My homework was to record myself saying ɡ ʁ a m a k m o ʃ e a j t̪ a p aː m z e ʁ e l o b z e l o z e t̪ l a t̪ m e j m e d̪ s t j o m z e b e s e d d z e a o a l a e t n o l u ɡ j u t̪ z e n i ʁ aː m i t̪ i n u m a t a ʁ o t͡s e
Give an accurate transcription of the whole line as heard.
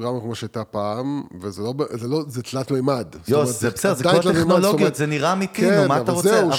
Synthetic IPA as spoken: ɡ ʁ a m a k m o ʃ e a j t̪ a p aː m v e z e l o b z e l o z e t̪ l a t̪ m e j m a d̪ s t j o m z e b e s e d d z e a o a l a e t n o l o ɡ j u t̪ z e n i ʁ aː m i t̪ i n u m a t a ʁ o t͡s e